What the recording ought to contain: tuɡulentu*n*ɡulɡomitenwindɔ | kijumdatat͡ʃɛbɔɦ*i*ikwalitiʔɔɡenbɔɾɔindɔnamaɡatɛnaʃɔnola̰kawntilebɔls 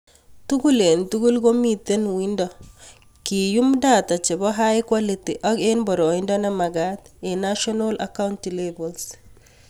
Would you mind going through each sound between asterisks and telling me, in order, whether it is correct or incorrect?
incorrect, incorrect

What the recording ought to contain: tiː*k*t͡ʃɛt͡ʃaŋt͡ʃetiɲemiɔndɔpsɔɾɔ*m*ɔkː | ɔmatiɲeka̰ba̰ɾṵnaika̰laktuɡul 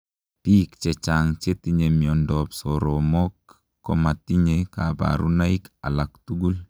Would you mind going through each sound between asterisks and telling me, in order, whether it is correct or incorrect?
correct, correct

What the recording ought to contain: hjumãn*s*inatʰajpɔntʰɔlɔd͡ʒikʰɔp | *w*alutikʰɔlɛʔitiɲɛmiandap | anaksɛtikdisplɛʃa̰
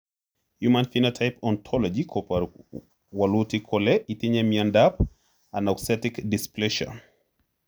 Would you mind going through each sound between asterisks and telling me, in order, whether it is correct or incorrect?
incorrect, correct

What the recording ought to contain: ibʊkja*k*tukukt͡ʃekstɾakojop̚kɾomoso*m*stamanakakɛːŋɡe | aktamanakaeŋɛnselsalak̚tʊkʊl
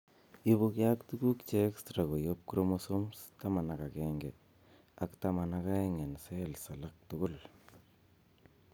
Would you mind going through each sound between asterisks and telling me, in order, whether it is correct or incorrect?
correct, correct

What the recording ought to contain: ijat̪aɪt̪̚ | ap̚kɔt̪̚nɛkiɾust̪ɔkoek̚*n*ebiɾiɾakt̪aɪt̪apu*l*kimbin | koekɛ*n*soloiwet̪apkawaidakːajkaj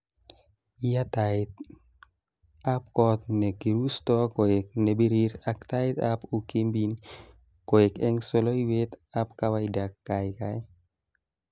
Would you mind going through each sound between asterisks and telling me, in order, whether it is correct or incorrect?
correct, incorrect, incorrect

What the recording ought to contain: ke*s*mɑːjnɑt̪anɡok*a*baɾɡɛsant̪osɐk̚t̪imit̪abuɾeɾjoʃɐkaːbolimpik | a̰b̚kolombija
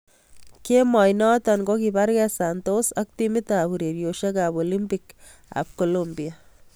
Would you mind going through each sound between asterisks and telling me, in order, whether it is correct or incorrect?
incorrect, incorrect

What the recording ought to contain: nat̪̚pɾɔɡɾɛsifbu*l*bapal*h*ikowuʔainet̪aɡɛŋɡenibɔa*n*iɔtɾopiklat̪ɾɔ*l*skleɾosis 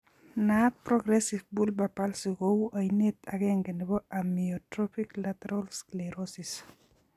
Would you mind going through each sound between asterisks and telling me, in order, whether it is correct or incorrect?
correct, incorrect, incorrect, correct

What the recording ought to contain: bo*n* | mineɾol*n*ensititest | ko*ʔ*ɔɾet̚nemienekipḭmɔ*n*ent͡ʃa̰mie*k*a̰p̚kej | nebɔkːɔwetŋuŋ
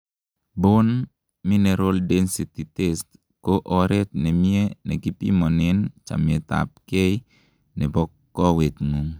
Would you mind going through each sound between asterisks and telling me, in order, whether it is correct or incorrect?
correct, incorrect, correct, correct, incorrect

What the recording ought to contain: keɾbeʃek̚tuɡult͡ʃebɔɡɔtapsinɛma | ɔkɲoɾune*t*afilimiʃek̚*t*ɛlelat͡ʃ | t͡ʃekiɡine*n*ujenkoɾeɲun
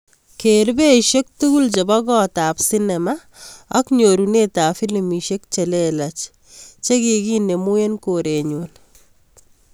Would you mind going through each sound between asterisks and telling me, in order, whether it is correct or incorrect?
correct, incorrect, incorrect

